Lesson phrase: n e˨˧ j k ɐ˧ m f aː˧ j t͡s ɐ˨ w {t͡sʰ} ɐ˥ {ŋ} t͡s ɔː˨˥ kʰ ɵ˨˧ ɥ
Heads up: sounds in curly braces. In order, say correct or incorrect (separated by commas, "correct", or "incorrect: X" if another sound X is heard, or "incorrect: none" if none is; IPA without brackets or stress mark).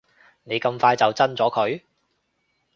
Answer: incorrect: t͡s, incorrect: n